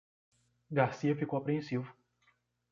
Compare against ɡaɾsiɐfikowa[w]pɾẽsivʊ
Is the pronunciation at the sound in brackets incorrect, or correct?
incorrect: none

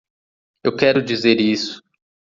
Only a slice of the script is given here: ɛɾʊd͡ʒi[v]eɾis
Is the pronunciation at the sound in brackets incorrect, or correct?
incorrect: z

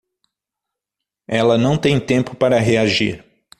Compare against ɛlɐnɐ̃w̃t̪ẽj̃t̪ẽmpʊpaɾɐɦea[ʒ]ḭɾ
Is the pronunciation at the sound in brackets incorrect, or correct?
correct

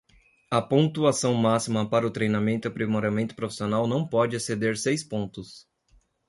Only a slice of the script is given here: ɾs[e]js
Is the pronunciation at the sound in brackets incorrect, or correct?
correct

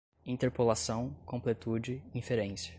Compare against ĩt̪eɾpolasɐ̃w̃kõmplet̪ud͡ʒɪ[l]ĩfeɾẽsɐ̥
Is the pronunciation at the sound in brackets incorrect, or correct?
incorrect: none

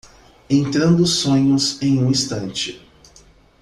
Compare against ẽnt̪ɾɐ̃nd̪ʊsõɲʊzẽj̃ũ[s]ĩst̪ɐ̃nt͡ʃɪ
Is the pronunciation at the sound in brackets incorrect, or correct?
incorrect: none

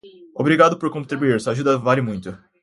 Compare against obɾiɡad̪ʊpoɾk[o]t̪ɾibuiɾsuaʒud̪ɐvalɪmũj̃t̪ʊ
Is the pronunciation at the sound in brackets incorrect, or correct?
incorrect: õ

